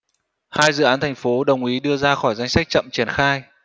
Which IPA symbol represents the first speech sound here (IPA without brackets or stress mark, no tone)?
h